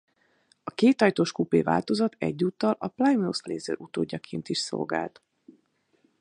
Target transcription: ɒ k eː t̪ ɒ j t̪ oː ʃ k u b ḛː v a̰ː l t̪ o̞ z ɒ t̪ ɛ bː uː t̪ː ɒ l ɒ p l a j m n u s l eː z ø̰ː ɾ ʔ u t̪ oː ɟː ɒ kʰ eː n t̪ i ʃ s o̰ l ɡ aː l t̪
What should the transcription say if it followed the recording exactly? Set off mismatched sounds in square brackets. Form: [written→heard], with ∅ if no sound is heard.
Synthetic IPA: ɒ k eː t̪ ɒ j t̪ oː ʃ k u [b→p] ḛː v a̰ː l t̪ o̞ z ɒ t̪ ɛ [bː→ɟː] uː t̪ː ɒ l ɒ p l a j m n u s l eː z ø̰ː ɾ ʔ u t̪ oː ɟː ɒ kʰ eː n t̪ i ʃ s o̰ l ɡ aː l t̪